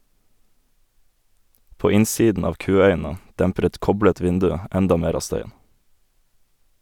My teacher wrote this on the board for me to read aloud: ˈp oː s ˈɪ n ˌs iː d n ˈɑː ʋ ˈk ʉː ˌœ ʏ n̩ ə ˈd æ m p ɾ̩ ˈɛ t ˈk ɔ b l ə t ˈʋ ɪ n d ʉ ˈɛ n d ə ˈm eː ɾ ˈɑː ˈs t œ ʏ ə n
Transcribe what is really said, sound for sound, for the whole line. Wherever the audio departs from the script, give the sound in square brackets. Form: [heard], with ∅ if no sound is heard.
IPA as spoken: ˈp oː [∅] ˈɪ n ˌs iː d n ˈɑː ʋ ˈk ʉː ˌœ ʏ n̩ ə ˈd æ m p ɾ̩ ˈɛ t ˈk ɔ b l ə t ˈʋ ɪ n d ʉ ˈɛ n d [ɑ] ˈm eː ɾ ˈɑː ˈs t œ ʏ ə n

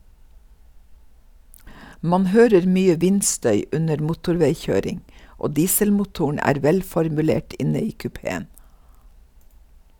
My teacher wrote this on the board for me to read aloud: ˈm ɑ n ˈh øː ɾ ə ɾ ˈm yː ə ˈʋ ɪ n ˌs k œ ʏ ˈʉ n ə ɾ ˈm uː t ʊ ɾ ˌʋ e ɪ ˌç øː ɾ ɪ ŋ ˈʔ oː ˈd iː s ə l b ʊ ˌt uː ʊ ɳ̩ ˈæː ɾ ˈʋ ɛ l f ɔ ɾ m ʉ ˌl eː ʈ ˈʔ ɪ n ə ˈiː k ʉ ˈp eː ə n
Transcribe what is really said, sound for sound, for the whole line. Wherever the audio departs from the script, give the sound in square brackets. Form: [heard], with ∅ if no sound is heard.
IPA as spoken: ˈm ɑ n ˈh øː ɾ ə ɾ ˈm yː ə ˈʋ ɪ n ˌs [t] œ ʏ ˈʉ n ə ɾ ˈm uː t ʊ ɾ ˌʋ e ɪ ˌç øː ɾ ɪ ŋ ˈʔ oː ˈd iː s ə l [m] ʊ ˌt uː ʊ ɳ̩ ˈæː ɾ ˈʋ ɛ l f ɔ ɾ m ʉ ˌl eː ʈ ˈʔ ɪ n ə ˈiː k ʉ ˈp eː ə n

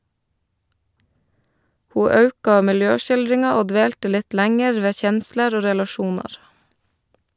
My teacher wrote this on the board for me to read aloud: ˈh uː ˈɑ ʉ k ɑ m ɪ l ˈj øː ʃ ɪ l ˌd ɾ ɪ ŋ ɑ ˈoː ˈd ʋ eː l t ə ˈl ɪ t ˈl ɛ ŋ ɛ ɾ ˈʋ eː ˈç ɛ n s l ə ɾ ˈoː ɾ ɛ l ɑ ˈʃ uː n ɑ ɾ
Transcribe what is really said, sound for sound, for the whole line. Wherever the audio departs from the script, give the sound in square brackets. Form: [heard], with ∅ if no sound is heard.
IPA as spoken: ˈh uː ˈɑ ʉ k ɑ m ɪ l ˈj øː ʃ ɪ l ˌd ɾ ɪ ŋ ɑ ˈoː ˈd ʋ eː l t ə ˈl ɪ t ˈl [æ] ŋ ɛ ɾ ˈʋ eː ˈç ɛ n s l ə ɾ ˈoː ɾ ɛ l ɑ ˈʃ uː n ɑ ɾ

